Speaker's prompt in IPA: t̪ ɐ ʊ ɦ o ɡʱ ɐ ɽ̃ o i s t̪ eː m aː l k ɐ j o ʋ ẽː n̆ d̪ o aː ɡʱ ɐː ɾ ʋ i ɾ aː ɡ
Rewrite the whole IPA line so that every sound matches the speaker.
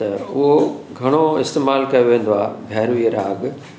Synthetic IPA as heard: t̪ ɐ ʊ ɦ o ɡʱ ɐ ɽ̃ o ɪ s t̪ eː m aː l k ɐ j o ʋ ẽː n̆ d̪ o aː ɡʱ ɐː ɾ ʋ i ɾ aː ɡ